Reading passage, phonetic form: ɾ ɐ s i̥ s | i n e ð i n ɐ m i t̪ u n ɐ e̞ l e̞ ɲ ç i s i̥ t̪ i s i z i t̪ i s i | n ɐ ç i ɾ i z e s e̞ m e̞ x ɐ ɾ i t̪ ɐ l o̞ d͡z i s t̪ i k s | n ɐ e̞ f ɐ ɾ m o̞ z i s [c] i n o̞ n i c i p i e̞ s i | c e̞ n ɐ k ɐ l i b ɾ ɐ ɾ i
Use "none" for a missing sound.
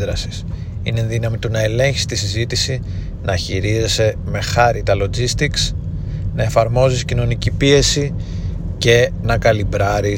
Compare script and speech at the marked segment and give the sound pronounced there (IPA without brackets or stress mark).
c